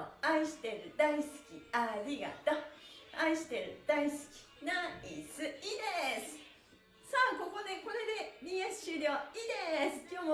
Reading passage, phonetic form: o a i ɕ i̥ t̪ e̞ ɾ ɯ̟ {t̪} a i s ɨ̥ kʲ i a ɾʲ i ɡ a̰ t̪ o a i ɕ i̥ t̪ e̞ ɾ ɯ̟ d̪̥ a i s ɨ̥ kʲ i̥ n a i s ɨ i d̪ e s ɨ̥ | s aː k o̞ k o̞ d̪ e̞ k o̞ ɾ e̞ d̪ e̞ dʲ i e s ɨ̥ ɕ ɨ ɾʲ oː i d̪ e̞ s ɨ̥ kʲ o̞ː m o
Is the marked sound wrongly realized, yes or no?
yes